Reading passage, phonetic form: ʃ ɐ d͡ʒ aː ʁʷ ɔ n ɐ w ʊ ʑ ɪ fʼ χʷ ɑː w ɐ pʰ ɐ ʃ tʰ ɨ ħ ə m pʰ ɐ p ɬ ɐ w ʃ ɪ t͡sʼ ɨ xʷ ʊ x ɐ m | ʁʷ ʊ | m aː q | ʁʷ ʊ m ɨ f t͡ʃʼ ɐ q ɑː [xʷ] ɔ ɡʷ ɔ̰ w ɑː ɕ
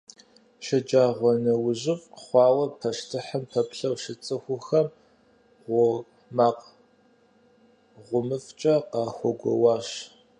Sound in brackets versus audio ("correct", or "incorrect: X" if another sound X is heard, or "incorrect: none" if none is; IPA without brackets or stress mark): correct